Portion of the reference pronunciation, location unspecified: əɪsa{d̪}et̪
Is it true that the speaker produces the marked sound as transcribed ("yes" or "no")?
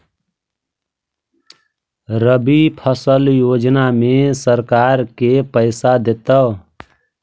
yes